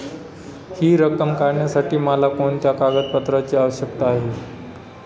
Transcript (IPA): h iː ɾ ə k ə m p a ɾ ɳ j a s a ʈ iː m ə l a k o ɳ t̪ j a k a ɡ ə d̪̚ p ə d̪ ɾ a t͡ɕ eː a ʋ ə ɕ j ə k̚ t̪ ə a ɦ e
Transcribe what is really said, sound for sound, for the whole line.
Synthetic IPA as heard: h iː ɾ ə k ə m k a ɾ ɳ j a s a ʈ iː m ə l a k o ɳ t̪ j a k a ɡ ə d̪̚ p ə t̪ ɾ a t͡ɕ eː a ʋ ə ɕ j ə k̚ t̪ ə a ɦ e